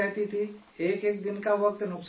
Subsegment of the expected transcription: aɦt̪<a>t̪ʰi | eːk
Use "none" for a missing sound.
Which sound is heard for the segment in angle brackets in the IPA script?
i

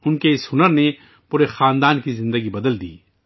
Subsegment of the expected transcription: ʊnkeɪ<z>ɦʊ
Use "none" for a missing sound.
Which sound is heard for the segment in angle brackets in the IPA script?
s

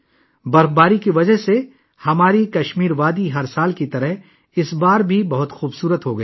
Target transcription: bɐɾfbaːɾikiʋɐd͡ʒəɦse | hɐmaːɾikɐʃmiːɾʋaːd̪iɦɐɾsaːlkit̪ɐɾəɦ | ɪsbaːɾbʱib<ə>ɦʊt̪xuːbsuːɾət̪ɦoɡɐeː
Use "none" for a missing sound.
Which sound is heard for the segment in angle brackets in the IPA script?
ɐ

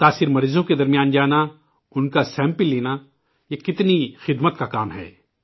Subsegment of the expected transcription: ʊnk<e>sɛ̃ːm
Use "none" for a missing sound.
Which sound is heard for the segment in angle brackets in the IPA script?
a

